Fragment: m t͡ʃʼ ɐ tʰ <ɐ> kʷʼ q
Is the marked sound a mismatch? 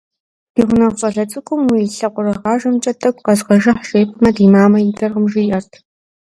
no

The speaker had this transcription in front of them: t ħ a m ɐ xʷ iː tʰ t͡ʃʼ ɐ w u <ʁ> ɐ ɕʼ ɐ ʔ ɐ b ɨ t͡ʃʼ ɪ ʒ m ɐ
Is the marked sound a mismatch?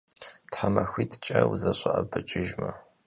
yes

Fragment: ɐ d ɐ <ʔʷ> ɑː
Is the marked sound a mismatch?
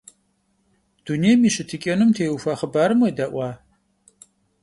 no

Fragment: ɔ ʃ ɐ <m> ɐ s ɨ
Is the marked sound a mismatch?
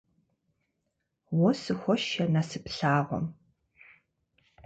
yes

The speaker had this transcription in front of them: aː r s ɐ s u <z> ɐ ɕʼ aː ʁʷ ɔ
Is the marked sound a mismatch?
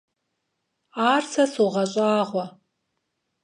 yes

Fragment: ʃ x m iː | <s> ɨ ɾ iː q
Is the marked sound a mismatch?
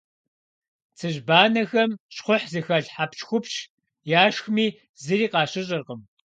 yes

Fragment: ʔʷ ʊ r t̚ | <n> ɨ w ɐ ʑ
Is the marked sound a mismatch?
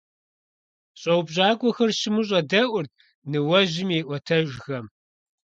no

